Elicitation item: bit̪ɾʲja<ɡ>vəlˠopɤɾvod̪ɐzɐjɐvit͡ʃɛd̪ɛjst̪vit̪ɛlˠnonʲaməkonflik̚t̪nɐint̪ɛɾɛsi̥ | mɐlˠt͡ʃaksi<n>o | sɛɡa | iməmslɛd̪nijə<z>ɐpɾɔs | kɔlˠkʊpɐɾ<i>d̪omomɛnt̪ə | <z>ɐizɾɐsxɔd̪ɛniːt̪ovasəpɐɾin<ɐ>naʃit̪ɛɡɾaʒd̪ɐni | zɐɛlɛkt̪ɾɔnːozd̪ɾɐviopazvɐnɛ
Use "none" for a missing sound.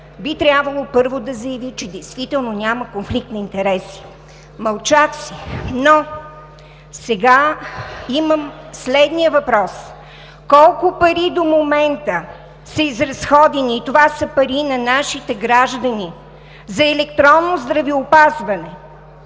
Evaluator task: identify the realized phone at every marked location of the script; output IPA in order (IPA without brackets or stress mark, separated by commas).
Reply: b, n, v, i, s, ɐ